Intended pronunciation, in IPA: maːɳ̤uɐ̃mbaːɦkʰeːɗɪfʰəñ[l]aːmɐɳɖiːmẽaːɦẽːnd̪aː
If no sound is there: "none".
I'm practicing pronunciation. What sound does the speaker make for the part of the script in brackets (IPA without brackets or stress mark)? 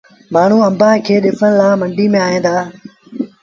l